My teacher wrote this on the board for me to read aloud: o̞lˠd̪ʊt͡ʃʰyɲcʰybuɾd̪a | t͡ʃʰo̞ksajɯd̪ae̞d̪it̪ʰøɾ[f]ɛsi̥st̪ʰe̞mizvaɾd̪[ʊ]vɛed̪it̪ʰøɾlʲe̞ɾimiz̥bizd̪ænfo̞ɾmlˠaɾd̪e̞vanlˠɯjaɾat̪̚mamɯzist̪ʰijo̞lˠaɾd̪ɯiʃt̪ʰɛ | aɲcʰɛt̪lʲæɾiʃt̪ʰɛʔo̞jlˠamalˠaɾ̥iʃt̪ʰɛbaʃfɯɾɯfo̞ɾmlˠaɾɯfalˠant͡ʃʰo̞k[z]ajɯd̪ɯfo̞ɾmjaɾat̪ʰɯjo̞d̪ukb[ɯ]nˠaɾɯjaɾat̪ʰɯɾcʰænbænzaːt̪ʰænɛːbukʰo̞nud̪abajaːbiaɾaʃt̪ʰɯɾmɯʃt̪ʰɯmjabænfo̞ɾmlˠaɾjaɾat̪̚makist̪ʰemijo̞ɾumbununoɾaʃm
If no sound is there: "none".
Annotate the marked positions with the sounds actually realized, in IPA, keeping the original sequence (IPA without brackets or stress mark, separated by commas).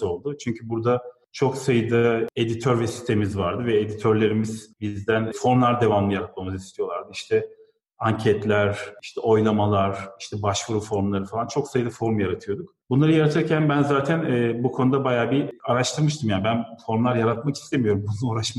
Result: v, ɯ, s, u